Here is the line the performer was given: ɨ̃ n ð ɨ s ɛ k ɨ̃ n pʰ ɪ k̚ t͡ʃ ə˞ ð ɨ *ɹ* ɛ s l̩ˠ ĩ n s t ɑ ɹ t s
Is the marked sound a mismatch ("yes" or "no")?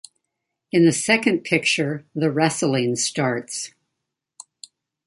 no